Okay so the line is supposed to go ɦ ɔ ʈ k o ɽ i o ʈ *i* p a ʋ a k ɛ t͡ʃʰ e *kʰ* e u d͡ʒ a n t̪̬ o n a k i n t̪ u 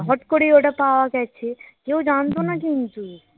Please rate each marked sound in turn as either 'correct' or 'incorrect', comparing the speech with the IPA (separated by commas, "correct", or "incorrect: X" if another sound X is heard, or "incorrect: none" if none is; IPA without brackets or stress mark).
incorrect: a, incorrect: k